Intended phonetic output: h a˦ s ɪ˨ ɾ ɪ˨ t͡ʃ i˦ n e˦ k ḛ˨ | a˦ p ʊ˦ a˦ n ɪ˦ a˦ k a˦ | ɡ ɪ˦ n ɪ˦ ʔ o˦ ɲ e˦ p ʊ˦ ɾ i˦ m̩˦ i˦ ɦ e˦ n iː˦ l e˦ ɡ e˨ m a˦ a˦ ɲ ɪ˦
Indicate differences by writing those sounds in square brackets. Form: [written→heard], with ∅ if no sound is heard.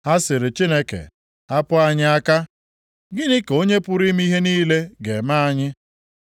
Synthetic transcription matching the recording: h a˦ s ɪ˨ ɾ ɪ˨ t͡ʃ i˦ n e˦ k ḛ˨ | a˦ p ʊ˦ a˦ [n→ɲ] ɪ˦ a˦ k a˦ | ɡ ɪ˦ n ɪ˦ [ʔ→k] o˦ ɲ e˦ p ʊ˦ ɾ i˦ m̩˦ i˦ ɦ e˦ n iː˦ l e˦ ɡ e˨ m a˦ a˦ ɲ ɪ˦